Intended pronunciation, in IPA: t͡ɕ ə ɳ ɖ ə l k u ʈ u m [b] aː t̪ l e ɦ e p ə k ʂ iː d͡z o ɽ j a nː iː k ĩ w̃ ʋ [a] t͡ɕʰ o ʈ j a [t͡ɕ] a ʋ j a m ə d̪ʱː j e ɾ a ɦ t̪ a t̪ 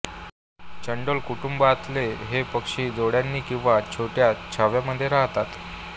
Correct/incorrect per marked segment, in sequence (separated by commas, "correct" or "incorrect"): correct, correct, incorrect